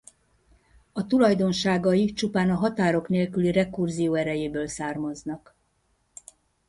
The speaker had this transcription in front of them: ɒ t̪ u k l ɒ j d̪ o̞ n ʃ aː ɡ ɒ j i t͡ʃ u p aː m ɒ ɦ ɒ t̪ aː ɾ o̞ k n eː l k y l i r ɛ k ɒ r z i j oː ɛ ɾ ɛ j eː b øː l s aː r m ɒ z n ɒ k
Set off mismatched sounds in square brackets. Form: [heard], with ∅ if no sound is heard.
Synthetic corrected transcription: ɒ t̪ u [∅] l ɒ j d̪ o̞ n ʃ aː ɡ ɒ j i t͡ʃ u p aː [n] ɒ ɦ ɒ t̪ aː ɾ o̞ k n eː l k y l i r ɛ k [u] r z i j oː ɛ ɾ ɛ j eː b øː l s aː r m ɒ z n ɒ k

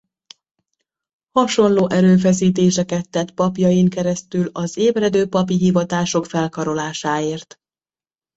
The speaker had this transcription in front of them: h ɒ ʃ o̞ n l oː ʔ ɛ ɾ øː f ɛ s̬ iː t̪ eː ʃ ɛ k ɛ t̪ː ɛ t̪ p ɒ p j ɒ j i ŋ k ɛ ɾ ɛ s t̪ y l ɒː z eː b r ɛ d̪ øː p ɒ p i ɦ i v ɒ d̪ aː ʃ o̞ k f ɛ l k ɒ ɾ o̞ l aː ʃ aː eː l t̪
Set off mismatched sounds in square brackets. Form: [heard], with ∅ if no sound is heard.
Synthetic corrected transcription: h ɒ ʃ o̞ n l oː ʔ ɛ ɾ øː f ɛ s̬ iː t̪ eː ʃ ɛ k ɛ t̪ː ɛ t̪ p ɒ p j ɒ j i ŋ k ɛ ɾ ɛ s t̪ y l [ɒ] z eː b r ɛ d̪ øː p ɒ p i ɦ i v ɒ [t̪] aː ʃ o̞ k f ɛ l k ɒ ɾ o̞ l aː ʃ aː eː [r] t̪

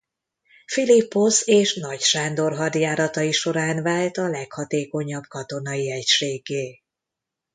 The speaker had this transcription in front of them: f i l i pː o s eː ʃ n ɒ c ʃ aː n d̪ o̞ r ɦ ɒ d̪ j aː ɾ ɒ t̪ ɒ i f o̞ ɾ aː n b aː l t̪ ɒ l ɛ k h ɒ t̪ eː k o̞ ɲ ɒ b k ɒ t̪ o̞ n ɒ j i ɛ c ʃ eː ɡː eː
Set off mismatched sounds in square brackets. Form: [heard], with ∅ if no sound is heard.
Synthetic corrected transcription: f i l i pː o s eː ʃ n ɒ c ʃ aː n d̪ o̞ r ɦ ɒ d̪ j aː ɾ ɒ t̪ ɒ i [ʃ] o̞ ɾ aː n [v] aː l t̪ ɒ l ɛ k h ɒ t̪ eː k o̞ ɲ ɒ b k ɒ t̪ o̞ n ɒ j i ɛ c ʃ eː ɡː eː

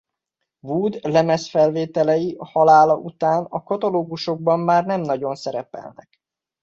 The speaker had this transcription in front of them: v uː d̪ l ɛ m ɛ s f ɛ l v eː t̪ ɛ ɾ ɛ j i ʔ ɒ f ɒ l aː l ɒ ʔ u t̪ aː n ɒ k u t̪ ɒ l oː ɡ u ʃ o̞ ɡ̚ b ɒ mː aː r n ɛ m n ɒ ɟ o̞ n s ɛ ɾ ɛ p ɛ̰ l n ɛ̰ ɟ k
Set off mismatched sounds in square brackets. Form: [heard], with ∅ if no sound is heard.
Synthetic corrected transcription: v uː d̪ l ɛ m ɛ s f ɛ l v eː t̪ ɛ [l] ɛ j i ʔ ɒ [h] ɒ l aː l ɒ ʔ u t̪ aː n ɒ k [ɒ] t̪ ɒ l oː ɡ u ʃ o̞ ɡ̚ b ɒ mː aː r n ɛ m n ɒ ɟ o̞ n s ɛ ɾ ɛ p ɛ̰ l n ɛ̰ [∅] k

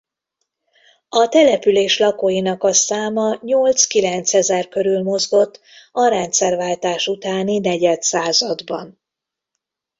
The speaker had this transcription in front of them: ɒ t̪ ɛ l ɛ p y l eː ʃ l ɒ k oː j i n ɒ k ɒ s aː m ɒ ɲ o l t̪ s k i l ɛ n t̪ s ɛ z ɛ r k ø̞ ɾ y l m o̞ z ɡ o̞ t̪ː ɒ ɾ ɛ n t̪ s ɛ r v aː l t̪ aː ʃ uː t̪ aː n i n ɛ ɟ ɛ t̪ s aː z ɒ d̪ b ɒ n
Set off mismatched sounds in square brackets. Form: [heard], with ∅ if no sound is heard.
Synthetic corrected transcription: ɒ t̪ ɛ l ɛ p y l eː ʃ l ɒ k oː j i n ɒ k ɒ s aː m ɒ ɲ o l t̪ s k i l ɛ n t̪ s ɛ z ɛ r k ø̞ ɾ y l m o̞ z ɡ o̞ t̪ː ɒ ɾ ɛ n t̪ s ɛ r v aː l t̪ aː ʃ [u] t̪ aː n i n ɛ ɟ ɛ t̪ s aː z ɒ d̪ b ɒ n

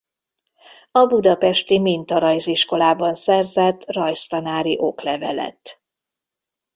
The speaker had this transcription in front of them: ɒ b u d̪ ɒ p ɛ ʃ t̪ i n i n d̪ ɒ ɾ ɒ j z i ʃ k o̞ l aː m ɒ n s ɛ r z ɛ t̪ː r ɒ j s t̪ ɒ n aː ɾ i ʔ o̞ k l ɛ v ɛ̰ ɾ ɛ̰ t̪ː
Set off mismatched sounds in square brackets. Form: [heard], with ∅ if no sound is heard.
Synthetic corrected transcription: ɒ b u d̪ ɒ p ɛ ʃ t̪ i [m] i n [t̪] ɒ ɾ ɒ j z i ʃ k o̞ l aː [b] ɒ n s ɛ r z ɛ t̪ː r ɒ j s t̪ ɒ n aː ɾ i ʔ o̞ k l ɛ v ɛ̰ [l] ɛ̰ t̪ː

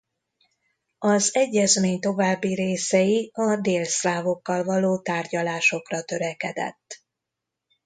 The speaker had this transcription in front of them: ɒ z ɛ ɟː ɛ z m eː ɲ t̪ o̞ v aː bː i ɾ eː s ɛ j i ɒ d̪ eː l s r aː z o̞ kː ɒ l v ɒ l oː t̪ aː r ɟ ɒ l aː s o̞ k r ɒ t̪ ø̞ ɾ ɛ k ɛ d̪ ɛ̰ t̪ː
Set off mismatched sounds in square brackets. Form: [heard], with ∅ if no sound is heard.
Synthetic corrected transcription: ɒ z ɛ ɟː ɛ z m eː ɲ t̪ o̞ v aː bː i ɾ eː s ɛ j i ɒ d̪ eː l s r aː [v] o̞ kː ɒ l v ɒ l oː t̪ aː r ɟ ɒ l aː [ʃ] o̞ k r ɒ t̪ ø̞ ɾ ɛ k ɛ d̪ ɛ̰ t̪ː

